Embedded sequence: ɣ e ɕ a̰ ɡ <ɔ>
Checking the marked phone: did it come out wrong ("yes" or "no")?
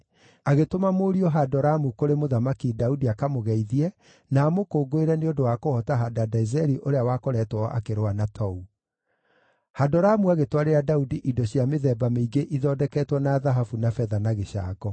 no